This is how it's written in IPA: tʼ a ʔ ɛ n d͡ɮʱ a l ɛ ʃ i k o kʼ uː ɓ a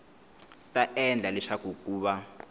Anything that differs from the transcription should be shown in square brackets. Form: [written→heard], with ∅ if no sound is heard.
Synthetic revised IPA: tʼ a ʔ ɛ n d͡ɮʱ a l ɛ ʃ [i→a] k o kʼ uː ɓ a